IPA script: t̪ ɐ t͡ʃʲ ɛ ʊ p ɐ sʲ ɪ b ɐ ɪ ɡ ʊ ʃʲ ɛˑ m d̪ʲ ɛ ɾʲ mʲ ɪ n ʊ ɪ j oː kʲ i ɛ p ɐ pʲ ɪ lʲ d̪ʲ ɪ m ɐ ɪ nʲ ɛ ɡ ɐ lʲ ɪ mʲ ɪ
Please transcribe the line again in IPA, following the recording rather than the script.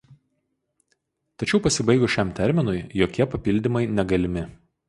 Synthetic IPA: t̪ ɐ t͡ʃʲ ɛ ʊ p ɐ sʲ ɪ b ɐ ɪ ɡ ʊ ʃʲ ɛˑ m t̪ʲ ɛ ɾʲ mʲ ɪ n ʊ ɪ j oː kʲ i ɛ p ɐ pʲ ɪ lʲ d̪ʲ ɪ m ɐ ɪ nʲ ɛ ɡ ɐ lʲ ɪ mʲ ɪ